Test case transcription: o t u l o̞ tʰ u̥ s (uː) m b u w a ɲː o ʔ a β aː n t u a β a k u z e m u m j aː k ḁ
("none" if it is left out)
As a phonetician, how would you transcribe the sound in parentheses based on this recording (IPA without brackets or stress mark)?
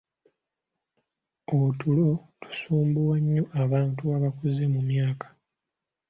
uː